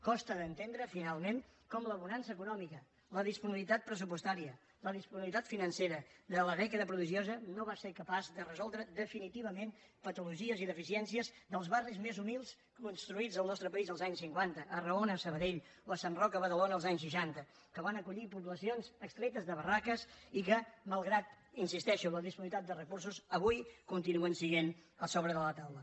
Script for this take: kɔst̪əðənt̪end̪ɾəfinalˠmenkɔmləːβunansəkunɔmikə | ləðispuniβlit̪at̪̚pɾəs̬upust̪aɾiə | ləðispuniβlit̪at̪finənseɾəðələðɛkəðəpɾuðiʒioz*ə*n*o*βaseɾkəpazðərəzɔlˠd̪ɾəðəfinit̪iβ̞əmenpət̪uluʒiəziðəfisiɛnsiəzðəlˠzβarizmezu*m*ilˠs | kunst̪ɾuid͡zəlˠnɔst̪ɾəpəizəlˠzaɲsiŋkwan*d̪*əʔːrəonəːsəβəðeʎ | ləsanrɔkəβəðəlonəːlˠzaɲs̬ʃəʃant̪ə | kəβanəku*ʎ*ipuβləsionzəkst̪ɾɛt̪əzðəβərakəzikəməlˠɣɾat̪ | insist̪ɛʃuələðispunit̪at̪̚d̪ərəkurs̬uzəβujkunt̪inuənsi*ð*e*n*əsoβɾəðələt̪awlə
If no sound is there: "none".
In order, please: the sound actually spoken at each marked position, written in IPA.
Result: ə, o, m, t̪, ʎ, ɣ, n

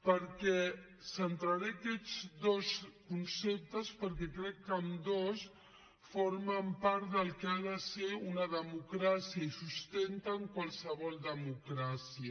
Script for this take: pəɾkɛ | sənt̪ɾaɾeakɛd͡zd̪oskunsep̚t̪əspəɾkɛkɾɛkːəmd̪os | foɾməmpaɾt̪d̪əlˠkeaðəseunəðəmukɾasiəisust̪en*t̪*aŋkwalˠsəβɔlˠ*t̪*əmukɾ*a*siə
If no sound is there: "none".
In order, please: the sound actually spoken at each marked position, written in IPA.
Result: t̪, d̪, a

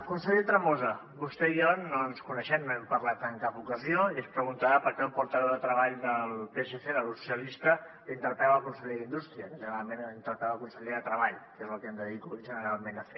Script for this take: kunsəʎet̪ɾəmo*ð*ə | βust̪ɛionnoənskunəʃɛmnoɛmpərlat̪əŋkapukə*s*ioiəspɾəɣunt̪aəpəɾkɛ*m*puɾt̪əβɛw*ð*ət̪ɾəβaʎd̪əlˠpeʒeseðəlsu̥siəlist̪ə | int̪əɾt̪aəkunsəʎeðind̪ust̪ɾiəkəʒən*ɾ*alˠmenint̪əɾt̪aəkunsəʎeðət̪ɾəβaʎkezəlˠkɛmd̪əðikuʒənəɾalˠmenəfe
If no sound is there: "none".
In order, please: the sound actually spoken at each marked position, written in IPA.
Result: z, z, m, ð, ɾ

